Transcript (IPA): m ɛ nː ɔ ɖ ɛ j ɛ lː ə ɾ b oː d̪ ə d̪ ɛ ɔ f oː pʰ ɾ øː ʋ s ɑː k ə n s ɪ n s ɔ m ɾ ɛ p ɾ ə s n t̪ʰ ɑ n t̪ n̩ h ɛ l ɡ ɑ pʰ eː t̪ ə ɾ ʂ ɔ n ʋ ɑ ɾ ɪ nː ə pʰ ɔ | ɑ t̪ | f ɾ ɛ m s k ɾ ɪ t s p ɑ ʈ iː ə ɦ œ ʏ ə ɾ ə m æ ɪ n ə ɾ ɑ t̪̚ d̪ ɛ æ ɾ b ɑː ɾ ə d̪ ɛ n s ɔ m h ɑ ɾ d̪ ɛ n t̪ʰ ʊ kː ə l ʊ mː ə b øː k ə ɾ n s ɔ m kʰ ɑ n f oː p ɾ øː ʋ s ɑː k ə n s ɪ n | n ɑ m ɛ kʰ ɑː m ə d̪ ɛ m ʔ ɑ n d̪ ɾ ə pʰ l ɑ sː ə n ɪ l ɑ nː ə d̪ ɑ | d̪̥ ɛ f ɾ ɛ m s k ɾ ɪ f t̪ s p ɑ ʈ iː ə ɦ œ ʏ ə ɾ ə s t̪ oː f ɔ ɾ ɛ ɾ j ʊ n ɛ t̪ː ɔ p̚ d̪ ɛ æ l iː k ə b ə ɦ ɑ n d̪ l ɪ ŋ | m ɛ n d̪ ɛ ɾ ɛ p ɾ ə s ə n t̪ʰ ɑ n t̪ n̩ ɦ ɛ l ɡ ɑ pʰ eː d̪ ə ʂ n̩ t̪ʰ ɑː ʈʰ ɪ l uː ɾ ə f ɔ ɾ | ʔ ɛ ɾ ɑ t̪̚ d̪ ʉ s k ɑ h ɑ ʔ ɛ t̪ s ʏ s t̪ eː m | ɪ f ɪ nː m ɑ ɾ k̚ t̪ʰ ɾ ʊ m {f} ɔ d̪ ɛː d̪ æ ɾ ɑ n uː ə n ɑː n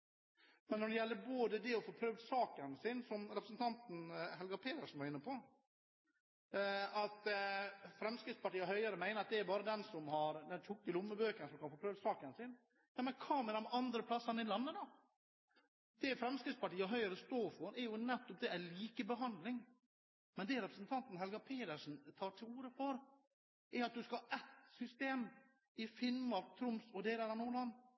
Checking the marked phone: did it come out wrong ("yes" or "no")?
yes